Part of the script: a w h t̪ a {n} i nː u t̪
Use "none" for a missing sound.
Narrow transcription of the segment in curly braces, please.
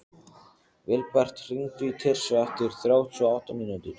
m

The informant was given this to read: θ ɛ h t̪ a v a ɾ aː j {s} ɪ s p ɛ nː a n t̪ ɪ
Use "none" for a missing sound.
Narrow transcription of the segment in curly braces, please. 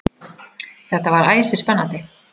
s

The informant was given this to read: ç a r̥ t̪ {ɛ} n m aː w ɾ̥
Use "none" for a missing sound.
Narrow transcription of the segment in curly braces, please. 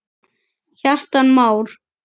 a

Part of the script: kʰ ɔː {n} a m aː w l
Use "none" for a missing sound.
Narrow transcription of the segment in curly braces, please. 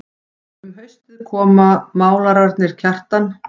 m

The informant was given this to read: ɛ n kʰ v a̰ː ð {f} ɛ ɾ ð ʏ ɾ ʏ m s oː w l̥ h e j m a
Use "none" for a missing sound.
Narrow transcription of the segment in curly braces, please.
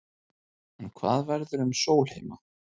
v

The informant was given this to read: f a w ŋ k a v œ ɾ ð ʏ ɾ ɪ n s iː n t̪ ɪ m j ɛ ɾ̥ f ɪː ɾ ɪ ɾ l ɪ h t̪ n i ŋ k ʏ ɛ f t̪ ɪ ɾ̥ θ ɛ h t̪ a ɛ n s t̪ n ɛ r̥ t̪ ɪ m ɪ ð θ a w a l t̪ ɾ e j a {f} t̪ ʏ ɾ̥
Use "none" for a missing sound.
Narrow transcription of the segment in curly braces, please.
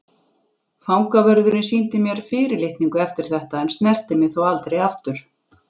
f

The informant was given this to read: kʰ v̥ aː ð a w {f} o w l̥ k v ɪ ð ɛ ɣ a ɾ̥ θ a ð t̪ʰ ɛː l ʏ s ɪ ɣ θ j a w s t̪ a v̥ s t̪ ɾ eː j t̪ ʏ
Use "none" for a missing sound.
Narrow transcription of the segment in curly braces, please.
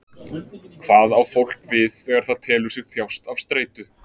f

